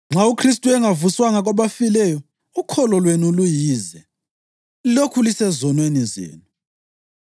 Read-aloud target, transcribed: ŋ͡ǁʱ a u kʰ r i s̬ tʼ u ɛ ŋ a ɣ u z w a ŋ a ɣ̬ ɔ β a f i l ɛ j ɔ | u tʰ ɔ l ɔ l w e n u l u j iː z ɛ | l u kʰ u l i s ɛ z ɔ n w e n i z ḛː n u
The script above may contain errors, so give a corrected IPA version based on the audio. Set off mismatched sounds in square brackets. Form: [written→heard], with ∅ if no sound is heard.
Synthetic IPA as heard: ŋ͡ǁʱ a u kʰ r i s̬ tʼ u ɛ ŋ a [ɣ→v] u [z→s] w a ŋ a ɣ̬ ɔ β a f i l ɛ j ɔ | u [tʰ→kʰ] ɔ l ɔ l w e n u l u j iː z ɛ | l [u→o] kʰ u l i s ɛ z ɔ n w e n i z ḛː n u